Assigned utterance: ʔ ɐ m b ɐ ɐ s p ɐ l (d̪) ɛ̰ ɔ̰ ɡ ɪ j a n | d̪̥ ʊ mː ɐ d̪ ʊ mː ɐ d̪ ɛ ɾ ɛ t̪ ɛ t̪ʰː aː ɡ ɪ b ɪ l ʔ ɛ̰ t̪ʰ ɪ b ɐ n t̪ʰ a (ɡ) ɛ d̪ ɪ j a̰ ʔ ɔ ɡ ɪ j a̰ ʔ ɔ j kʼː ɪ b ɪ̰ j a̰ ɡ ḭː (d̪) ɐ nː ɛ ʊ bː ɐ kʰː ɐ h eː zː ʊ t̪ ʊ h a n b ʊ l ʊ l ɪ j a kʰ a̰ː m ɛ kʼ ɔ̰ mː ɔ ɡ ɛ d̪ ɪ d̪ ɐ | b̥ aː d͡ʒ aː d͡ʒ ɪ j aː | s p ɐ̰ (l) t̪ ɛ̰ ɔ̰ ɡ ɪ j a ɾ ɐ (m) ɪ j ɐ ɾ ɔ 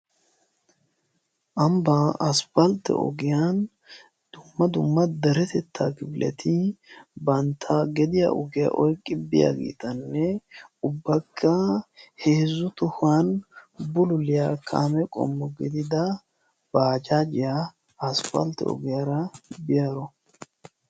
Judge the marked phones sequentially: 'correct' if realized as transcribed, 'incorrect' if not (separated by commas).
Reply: incorrect, correct, incorrect, correct, incorrect